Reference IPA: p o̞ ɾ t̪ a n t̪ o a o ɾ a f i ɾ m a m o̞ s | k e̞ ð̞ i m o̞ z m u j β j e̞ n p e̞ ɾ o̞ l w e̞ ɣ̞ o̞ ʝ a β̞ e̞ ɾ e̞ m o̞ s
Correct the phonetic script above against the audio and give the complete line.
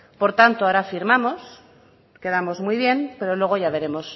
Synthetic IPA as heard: p o̞ ɾ t̪ a n t̪ o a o ɾ a f i ɾ m a m o̞ s | k e̞ ð̞ a m o̞ z m u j β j e̞ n p e̞ ɾ o̞ l w e̞ ɣ̞ o̞ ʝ a β̞ e̞ ɾ e̞ m o̞ s